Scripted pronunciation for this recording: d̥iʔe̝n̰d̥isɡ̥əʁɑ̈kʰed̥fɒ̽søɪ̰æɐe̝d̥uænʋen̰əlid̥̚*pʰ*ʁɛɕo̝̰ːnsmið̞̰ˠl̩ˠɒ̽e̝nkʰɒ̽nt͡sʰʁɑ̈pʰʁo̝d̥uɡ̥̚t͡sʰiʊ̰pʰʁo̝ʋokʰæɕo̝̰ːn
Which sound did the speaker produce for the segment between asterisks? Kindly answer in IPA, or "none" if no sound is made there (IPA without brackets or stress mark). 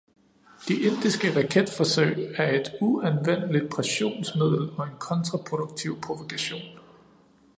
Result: pʰ